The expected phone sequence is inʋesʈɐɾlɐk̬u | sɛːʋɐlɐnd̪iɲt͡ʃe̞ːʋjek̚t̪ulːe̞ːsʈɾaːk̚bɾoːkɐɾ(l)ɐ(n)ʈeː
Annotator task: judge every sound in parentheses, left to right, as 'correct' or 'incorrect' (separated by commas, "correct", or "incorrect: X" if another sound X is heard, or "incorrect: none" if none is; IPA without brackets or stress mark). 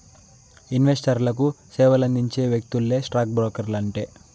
correct, incorrect: ɳ